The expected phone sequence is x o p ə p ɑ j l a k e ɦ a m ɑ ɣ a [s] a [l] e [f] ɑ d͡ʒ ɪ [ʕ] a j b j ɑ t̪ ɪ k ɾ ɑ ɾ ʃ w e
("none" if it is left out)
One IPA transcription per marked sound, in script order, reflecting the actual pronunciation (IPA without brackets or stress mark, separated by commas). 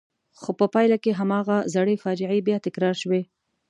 z, ɽ, f, ʕ